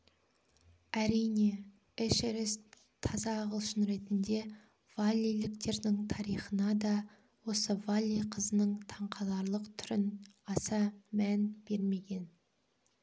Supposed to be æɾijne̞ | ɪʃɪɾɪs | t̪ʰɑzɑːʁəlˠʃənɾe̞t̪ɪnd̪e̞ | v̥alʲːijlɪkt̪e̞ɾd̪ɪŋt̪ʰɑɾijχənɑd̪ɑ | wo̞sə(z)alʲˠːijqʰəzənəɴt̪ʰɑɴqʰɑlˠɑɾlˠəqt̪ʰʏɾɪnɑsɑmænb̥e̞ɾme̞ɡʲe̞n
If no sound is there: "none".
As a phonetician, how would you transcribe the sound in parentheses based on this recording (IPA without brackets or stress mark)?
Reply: v